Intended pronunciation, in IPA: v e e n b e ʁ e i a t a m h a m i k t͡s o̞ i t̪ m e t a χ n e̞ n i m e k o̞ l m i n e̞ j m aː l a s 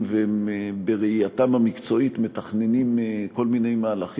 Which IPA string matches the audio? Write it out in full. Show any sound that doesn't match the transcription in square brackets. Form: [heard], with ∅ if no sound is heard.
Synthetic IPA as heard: v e e [m] b e ʁ e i a t a m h a m i k t͡s o̞ i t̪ m e t a χ n e̞ n i m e k o̞ l m i n e̞ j m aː l a [χ]